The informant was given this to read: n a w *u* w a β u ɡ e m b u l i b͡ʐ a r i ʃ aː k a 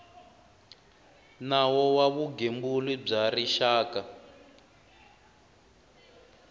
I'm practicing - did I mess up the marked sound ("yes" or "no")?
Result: yes